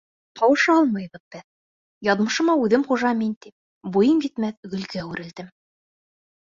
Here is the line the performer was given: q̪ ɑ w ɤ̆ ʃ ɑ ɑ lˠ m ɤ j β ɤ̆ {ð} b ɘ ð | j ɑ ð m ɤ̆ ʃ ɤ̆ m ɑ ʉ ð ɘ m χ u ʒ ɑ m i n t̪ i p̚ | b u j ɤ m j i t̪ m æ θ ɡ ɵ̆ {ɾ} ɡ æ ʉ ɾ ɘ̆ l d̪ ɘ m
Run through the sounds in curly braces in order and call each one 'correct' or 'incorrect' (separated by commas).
correct, incorrect